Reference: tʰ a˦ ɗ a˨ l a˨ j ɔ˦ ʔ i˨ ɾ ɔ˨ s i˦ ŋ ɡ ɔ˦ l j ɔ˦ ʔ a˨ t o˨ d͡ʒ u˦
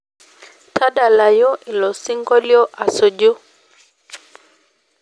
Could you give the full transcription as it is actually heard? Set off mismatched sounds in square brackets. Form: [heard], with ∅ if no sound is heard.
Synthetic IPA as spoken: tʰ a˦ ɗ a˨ l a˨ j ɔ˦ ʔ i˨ [l] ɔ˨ s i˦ ŋ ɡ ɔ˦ l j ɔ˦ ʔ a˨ [s] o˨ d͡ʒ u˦